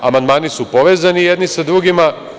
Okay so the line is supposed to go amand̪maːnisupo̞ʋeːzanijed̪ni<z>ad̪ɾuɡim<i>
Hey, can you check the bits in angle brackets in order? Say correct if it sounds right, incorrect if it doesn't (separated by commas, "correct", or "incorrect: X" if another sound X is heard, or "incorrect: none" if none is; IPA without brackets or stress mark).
incorrect: s, incorrect: a